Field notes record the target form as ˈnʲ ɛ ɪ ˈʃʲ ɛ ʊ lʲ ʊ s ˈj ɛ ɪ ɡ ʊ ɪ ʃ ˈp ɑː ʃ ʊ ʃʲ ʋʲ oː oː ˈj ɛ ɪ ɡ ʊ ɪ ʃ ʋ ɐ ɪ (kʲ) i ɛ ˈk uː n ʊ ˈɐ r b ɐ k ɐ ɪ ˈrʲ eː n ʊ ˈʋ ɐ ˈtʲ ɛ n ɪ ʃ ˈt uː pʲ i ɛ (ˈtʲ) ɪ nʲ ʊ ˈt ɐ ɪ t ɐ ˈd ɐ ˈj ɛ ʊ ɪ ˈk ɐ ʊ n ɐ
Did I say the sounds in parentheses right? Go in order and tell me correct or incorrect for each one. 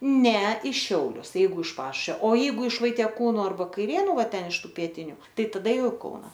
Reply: incorrect: tʲ, correct

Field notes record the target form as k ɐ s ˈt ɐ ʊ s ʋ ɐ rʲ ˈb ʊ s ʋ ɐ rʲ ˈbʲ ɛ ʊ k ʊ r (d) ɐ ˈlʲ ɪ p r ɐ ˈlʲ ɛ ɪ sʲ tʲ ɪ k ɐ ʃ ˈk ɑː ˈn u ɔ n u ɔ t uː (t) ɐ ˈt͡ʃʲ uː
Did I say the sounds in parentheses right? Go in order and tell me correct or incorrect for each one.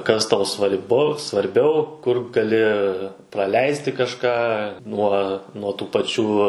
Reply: incorrect: ɡ, incorrect: p

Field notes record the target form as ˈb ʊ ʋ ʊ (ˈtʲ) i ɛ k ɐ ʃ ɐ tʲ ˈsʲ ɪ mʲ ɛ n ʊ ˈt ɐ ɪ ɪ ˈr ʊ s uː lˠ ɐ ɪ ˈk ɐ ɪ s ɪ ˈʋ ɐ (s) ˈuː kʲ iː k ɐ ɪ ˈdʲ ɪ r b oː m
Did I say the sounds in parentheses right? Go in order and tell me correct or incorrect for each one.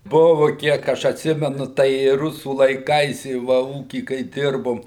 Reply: incorrect: kʲ, incorrect: none

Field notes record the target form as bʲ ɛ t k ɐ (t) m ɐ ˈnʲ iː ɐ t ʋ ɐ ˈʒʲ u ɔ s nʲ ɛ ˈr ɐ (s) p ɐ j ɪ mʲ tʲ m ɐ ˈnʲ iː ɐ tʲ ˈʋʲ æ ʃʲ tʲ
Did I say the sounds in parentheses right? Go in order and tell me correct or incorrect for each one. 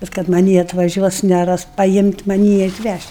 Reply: correct, correct

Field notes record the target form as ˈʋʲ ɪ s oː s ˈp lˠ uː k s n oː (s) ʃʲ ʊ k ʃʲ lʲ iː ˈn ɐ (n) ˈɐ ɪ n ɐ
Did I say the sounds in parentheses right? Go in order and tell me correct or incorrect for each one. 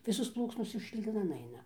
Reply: correct, correct

